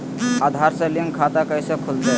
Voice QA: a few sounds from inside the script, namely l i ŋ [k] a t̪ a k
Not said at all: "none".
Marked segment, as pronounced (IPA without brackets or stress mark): kʰ